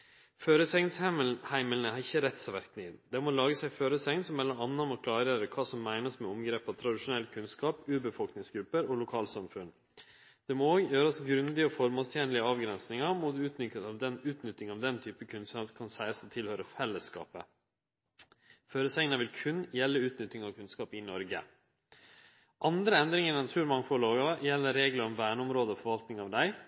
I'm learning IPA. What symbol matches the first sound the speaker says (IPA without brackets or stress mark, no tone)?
f